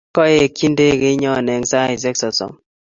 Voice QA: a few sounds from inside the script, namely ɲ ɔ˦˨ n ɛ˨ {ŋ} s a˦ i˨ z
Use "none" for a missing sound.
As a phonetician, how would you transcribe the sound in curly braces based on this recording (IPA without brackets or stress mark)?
ŋ